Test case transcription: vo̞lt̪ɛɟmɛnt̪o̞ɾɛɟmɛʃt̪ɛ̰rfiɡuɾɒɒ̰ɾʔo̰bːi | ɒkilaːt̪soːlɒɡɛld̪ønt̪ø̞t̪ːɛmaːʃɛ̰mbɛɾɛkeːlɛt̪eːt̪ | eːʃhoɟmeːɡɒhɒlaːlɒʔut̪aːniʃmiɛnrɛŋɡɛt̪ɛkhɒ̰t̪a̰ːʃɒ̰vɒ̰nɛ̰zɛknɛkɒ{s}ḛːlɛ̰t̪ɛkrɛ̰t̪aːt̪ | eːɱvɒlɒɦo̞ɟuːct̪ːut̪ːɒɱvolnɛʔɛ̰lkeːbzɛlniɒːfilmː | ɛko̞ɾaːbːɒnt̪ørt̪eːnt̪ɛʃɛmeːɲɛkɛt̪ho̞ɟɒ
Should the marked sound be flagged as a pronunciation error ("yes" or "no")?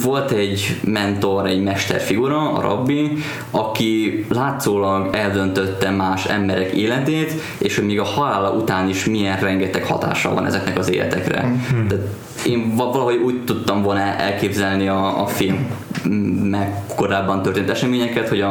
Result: yes